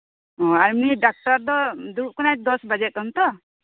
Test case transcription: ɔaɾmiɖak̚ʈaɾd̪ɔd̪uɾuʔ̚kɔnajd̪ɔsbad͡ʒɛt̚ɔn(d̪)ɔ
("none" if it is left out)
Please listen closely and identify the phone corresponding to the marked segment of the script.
t̪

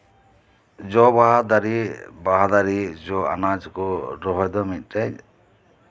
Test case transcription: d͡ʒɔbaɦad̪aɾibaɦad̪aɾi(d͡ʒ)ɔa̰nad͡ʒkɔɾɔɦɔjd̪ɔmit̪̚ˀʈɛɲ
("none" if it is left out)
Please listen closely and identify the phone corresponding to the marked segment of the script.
d͡ʒ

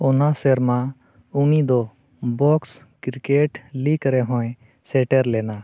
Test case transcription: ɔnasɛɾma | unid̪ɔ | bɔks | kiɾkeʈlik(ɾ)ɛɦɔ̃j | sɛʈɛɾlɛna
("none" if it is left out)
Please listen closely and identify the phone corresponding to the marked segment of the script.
ɾ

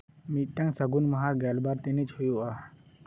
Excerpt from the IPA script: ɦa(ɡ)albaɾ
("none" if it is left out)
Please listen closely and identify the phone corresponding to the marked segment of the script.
ɡ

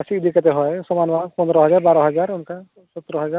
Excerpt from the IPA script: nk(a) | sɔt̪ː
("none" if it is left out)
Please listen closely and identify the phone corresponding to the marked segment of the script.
a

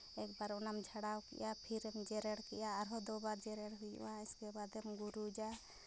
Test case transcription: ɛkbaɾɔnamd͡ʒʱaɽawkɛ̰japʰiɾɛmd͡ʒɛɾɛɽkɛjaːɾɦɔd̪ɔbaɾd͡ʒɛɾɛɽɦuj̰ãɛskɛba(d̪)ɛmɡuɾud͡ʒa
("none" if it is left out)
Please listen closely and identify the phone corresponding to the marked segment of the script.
d̪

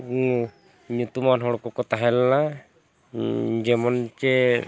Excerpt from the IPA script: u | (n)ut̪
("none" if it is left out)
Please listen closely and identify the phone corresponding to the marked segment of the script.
ɲ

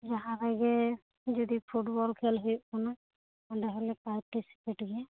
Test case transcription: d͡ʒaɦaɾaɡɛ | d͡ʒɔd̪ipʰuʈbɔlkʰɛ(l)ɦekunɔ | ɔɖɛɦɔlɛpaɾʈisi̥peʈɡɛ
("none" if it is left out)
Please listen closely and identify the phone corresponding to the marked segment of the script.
l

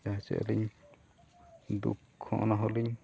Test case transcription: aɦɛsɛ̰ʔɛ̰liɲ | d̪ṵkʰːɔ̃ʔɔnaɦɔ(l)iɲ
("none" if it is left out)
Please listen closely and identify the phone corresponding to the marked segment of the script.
l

